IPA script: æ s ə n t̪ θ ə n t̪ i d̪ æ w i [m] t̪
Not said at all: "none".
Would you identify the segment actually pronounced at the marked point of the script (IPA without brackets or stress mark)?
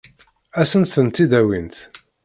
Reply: n